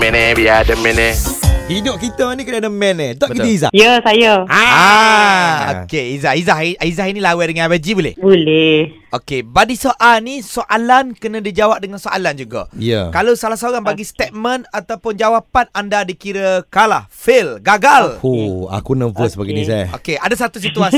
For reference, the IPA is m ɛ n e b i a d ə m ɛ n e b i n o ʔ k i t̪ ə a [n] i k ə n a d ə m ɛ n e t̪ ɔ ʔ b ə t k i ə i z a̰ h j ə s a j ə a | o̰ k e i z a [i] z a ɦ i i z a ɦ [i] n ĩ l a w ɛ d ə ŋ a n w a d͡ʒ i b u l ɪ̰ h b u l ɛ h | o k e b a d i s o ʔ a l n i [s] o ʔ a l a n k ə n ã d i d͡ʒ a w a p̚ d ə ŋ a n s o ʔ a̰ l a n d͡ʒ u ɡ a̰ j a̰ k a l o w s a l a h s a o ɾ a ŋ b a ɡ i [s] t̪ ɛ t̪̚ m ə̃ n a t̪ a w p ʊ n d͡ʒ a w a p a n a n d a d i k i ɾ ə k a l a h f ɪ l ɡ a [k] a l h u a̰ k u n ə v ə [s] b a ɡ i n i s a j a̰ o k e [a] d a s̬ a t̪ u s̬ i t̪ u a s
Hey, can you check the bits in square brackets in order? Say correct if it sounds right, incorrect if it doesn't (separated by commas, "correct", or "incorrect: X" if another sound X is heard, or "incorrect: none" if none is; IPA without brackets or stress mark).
correct, correct, correct, correct, correct, incorrect: ɡ, correct, correct